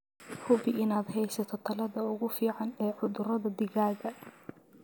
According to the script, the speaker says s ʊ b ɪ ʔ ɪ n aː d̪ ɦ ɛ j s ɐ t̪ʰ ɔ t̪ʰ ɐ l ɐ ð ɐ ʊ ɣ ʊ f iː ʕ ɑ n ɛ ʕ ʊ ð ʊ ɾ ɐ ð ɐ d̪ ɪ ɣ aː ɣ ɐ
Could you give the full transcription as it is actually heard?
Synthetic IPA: h ʊ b ɪ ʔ ɪ n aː d̪ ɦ ɛ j s ɐ t̪ʰ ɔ t̪ʰ ɐ l ɐ ð ɐ ʊ ɣ ʊ f iː ʕ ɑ n ɛː ʕ ʊ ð ʊ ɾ ɐ ð ɐ d̪ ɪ ɣ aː ɣ ɐ